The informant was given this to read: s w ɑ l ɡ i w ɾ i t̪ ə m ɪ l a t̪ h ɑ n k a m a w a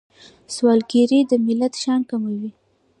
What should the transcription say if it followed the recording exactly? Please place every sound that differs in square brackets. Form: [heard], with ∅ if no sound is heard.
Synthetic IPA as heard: s w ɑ l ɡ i [∅] ɾ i [d̪] ə m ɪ l a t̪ [ʃ] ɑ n k a m a w [i]